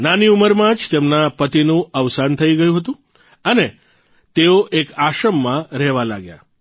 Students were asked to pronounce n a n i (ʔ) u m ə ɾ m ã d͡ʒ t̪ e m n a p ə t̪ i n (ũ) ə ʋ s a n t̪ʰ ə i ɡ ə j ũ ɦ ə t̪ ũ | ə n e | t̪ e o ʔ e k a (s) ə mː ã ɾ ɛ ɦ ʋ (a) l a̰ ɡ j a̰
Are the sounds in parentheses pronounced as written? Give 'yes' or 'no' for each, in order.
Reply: no, yes, no, yes

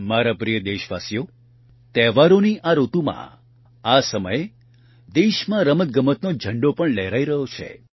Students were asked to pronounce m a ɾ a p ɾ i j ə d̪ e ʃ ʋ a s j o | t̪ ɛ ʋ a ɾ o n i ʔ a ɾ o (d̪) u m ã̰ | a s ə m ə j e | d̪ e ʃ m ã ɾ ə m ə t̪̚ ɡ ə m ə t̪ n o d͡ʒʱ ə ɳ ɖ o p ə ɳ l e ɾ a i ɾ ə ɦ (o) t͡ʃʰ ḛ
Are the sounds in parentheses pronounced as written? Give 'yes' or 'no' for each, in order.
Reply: no, yes

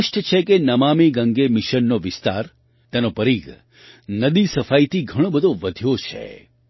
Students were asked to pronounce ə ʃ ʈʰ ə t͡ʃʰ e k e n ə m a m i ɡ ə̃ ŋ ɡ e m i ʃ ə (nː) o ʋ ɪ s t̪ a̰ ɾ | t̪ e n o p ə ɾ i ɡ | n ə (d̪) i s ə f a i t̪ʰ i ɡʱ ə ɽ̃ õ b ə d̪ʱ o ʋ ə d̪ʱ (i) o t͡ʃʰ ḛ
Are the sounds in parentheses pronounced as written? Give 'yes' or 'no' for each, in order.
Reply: yes, yes, no

